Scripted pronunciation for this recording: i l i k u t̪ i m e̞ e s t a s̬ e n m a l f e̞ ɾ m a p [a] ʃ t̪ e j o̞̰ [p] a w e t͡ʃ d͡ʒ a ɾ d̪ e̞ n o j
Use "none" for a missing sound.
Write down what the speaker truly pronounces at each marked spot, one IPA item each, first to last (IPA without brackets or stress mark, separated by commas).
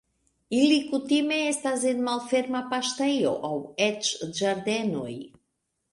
a, ʔ